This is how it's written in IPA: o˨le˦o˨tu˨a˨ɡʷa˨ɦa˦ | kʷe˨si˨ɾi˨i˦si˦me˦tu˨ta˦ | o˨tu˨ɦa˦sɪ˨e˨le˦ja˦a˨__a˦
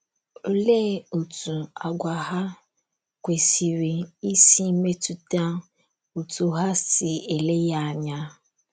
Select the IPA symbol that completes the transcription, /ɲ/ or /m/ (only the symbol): ɲ